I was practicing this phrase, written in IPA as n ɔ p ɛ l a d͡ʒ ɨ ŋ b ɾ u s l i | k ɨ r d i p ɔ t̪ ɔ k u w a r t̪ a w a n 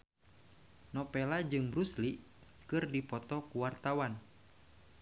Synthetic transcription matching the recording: n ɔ p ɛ l a d͡ʒ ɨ ŋ b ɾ u s l i | k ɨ r d i p ɔ t̪ ɔ k u w a r t̪ a w a n